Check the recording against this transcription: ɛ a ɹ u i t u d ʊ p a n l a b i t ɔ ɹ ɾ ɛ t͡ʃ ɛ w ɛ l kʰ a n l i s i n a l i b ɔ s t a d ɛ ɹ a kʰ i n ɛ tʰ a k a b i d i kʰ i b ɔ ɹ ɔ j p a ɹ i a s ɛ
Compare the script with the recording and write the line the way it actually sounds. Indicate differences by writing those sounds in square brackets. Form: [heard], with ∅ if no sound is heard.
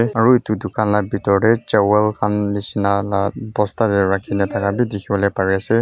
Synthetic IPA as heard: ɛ a ɹ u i t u d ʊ [k] a n l a b i t ɔ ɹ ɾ ɛ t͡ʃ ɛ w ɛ l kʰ a n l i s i n a l [a] b ɔ s t a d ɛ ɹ a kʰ i n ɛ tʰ a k a b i d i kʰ i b ɔ [l] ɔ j p a ɹ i a s ɛ